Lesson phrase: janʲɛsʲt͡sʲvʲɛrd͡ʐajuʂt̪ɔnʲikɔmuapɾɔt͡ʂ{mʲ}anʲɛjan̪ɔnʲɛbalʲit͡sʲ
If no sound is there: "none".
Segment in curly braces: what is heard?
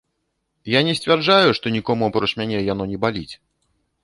mʲ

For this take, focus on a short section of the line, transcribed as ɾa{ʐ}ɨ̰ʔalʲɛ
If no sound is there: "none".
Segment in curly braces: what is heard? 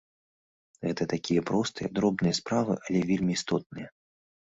v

